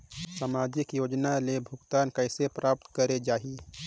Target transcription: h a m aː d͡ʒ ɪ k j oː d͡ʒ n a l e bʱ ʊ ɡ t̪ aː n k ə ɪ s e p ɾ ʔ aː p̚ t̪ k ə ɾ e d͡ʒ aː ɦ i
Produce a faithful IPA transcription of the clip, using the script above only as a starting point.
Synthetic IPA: s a m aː d͡ʒ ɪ k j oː d͡ʒ n a l e bʱ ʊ ɡ t̪ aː n k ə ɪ s e p ɾ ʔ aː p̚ t̪ k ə ɾ e d͡ʒ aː ɦ i